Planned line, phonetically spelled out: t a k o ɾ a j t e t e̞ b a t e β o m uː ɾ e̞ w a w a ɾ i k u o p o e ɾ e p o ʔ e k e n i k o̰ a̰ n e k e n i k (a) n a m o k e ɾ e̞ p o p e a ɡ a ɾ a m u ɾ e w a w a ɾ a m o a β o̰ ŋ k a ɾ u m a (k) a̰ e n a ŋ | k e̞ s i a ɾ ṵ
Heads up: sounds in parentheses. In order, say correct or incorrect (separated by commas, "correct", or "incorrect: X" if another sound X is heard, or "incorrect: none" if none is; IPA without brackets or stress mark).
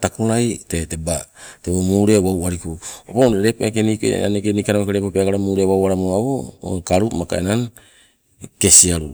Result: correct, correct